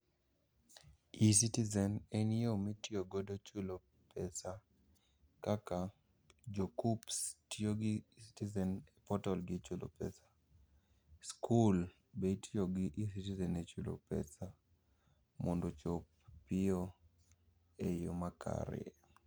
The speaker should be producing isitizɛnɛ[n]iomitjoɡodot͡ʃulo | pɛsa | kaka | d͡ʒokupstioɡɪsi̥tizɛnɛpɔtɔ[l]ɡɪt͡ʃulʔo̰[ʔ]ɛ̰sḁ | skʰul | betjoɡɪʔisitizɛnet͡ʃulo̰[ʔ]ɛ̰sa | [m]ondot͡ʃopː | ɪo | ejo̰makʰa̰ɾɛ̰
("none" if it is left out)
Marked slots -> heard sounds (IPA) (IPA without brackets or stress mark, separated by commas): n, l, p, p, m